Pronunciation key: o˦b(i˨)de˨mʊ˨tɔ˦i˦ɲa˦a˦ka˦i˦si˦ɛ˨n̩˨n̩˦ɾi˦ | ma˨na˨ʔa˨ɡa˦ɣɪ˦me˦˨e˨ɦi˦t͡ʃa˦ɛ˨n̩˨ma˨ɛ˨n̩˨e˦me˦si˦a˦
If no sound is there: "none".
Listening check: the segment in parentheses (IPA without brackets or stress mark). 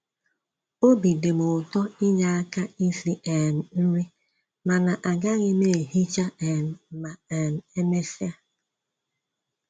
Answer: i˨